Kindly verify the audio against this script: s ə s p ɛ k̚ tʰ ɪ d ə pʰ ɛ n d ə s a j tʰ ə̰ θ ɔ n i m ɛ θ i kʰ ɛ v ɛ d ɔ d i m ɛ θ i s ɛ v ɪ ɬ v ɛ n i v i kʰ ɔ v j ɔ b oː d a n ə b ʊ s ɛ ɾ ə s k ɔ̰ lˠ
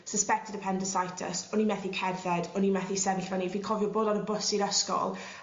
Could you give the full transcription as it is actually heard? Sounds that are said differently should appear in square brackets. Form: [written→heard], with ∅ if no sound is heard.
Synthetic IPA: s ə s p ɛ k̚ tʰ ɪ d ə pʰ ɛ n d ə s a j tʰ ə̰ [θ→s] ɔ n i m ɛ θ i kʰ ɛ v ɛ d ɔ [d→n] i m ɛ θ i s ɛ v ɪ ɬ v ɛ n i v i kʰ ɔ v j ɔ b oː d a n ə b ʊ s [ɛ→i] ɾ ə s k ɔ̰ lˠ